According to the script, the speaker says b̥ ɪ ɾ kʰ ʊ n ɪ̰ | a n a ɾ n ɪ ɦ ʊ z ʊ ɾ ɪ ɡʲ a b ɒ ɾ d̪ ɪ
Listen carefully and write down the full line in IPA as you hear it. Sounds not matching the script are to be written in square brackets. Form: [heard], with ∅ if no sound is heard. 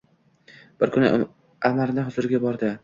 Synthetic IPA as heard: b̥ ɪ ɾ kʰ ʊ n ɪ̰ | a [m] a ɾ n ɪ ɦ ʊ z ʊ ɾ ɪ ɡʲ a b ɒ ɾ d̪ ɪ